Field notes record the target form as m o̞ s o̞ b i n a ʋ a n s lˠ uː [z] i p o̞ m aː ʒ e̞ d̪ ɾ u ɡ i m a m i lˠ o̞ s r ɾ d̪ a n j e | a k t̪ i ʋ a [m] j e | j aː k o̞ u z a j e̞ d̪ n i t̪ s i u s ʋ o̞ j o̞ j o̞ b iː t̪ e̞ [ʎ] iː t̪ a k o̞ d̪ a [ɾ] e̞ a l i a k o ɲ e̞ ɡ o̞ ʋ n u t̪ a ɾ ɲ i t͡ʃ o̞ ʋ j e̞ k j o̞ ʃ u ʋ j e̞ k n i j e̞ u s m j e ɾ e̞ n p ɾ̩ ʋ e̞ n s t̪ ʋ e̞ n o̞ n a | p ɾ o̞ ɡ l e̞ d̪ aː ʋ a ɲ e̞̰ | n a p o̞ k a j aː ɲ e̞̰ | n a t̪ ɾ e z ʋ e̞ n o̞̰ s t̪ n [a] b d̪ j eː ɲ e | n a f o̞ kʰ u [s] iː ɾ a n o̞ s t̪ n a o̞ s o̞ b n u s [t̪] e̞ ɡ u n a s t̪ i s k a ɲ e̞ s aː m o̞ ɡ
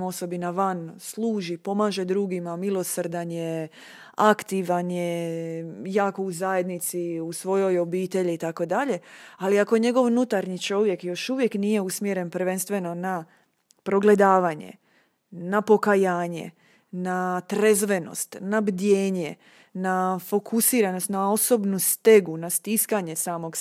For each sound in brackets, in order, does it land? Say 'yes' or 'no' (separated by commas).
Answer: no, no, yes, no, yes, yes, yes